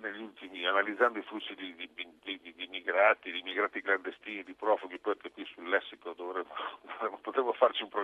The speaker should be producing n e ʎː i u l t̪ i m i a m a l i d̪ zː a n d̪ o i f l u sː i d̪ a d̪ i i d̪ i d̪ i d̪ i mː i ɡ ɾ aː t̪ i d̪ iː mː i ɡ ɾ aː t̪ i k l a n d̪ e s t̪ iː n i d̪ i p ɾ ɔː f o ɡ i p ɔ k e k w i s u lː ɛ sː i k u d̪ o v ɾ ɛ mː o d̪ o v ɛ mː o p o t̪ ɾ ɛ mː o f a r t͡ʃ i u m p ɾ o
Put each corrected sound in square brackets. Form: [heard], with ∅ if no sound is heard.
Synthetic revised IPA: n e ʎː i u l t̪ i m i a [n] a l i d̪ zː a n d̪ o i f l u sː i d̪ [i] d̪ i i d̪ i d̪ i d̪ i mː i ɡ ɾ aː t̪ i d̪ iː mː i ɡ ɾ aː t̪ i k l a n d̪ e s t̪ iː n i d̪ i p ɾ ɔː f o ɡ i p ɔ k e k w i s u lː ɛ sː i k [o] d̪ o v ɾ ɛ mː o d̪ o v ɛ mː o p o t̪ ɾ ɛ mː o f a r t͡ʃ i u m p ɾ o